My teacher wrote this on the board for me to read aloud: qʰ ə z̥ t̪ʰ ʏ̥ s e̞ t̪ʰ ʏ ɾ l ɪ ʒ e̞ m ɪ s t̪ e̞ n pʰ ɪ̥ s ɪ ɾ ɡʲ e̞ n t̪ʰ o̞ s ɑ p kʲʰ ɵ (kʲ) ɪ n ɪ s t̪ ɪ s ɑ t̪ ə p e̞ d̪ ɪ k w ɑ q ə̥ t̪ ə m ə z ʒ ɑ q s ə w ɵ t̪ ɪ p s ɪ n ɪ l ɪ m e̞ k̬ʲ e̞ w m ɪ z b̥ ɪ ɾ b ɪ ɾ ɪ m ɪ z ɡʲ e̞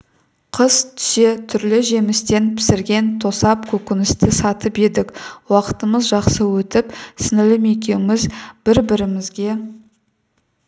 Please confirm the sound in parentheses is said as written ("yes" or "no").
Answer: yes